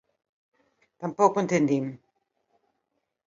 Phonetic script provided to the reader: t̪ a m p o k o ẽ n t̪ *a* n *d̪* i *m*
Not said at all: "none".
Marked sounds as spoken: e, d̪, m

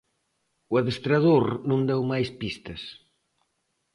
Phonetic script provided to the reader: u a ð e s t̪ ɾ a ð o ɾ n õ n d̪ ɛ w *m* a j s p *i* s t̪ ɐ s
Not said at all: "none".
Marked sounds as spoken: m, i

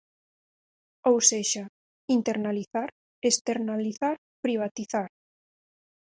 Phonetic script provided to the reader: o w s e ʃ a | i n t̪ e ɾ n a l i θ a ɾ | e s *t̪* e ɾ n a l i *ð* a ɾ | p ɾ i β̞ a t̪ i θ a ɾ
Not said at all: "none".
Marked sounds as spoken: t̪, θ

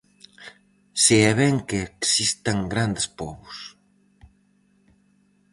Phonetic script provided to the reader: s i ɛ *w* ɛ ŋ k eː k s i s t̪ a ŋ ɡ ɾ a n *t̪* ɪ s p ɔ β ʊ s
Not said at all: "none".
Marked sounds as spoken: β, d̪

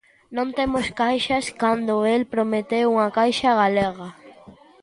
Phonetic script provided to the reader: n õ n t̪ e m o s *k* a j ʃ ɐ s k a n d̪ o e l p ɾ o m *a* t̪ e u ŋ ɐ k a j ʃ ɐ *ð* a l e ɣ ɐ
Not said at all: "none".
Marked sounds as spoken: k, e, ɣ

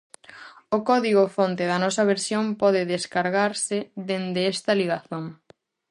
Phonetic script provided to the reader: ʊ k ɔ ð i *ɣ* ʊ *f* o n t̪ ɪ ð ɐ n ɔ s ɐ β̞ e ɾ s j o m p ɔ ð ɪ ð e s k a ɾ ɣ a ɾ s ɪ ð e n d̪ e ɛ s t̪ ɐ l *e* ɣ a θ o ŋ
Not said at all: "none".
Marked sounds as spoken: ɣ, f, i

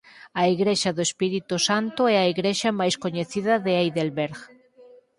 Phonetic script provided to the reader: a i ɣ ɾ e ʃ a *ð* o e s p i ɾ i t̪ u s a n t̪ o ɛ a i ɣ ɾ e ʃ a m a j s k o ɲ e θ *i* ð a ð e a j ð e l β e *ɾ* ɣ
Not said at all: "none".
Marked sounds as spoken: ð, i, ɾ

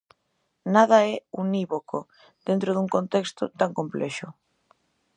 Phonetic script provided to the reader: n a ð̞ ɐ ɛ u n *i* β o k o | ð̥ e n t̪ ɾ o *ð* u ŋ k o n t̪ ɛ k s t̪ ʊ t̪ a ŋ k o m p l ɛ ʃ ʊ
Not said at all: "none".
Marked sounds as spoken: i, ð

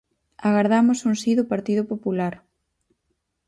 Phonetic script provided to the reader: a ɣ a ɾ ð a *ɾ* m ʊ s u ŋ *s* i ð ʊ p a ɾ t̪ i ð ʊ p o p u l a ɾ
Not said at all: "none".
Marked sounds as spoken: none, s

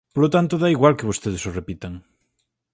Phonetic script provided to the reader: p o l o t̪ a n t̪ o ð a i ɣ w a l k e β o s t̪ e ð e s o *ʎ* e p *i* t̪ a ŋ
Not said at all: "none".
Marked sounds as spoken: r, i

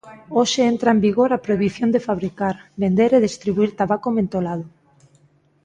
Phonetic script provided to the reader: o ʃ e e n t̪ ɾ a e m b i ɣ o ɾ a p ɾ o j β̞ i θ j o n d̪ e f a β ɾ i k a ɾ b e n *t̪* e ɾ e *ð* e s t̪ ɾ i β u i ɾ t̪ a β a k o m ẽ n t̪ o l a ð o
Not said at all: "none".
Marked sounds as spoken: d̪, ð

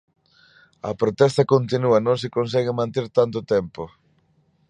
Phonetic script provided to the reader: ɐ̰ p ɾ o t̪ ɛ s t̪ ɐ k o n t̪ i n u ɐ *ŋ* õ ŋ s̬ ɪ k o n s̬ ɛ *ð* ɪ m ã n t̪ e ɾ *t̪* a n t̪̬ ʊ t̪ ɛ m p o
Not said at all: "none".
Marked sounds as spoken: n, ɣ, t̪

